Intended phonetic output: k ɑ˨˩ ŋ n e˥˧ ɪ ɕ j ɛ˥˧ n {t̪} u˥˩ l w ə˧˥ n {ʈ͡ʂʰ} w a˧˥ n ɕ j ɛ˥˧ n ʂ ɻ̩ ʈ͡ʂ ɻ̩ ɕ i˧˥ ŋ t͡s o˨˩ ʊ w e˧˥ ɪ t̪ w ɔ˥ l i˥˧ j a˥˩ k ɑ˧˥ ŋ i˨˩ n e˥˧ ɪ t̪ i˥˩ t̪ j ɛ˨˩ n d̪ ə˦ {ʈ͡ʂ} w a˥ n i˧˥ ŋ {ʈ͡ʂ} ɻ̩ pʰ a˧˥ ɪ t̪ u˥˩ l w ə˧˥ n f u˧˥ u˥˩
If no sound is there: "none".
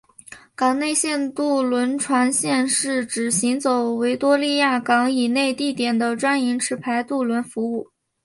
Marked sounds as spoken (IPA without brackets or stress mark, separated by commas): t̪, ʈ͡ʂʰ, ʈ͡ʂ, ʈ͡ʂʰ